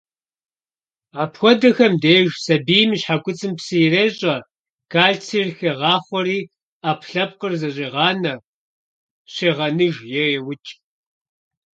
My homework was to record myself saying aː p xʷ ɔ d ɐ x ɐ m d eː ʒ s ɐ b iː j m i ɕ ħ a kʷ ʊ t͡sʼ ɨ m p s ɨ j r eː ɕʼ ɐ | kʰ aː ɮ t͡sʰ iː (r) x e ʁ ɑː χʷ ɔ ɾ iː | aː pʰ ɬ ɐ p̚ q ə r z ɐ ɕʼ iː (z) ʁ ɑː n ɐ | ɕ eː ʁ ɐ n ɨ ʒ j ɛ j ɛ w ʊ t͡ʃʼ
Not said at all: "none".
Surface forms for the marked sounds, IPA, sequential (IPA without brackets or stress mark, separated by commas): r, none